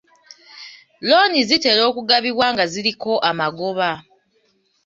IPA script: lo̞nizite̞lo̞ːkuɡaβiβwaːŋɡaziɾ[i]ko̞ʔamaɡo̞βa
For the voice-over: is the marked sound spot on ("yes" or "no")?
yes